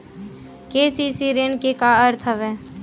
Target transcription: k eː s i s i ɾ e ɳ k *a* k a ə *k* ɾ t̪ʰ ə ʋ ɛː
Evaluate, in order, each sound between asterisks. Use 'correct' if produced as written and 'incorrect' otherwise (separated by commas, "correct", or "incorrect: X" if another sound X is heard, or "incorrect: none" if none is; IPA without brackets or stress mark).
incorrect: e, incorrect: none